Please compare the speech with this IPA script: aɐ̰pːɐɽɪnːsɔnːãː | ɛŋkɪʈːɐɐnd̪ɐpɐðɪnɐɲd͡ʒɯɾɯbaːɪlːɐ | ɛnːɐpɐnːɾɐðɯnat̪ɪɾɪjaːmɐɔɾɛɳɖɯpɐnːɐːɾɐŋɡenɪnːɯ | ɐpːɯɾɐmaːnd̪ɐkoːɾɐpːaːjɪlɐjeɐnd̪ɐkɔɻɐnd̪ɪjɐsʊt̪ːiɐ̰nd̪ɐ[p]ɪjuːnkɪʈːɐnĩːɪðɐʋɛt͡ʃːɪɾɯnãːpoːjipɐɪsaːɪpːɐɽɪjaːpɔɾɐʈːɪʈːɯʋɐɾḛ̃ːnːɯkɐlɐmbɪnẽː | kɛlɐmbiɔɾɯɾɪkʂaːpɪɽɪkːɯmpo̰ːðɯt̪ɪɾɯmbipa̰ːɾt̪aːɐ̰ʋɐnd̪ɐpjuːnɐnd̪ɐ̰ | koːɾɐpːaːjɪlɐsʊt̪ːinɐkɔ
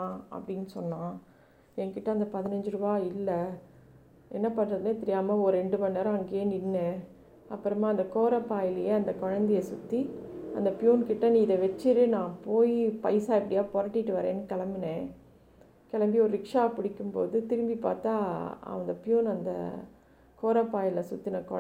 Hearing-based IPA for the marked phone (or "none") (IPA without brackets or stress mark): p